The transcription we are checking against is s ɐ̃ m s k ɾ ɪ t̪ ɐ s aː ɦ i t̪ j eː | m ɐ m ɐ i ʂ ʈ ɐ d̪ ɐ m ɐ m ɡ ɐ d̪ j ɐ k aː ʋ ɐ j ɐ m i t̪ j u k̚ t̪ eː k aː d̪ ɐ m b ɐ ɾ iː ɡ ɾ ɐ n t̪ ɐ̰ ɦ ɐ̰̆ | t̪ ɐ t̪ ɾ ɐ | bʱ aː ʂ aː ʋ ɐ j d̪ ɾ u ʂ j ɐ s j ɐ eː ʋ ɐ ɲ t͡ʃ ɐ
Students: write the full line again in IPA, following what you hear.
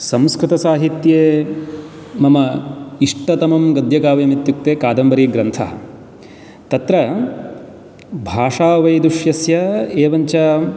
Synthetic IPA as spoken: s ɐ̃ m s k ɾ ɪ t̪ ɐ s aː ɦ i t̪ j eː | m ɐ m ɐ i ʂ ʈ ɐ t̪ ɐ m ɐ m ɡ ɐ d̪ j ɐ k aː ʋ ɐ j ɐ m i t̪ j u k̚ t̪ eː k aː d̪ ɐ m b ɐ ɾ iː ɡ ɾ ɐ n t̪ʰ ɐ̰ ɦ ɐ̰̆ | t̪ ɐ t̪ ɾ ɐ | bʱ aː ʂ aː ʋ ɐ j d̪ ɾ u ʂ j ɐ s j ɐ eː ʋ ɐ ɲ t͡ʃ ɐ